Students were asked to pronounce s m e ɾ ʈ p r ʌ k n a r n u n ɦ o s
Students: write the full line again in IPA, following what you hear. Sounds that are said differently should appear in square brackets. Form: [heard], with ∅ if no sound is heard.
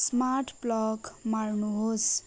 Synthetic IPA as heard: s m [a] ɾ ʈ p [l] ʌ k [m] a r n u [∅] ɦ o s